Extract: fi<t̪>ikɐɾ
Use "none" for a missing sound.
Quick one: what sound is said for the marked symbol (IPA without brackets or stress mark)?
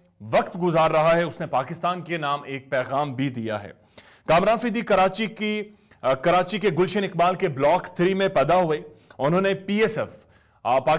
d̪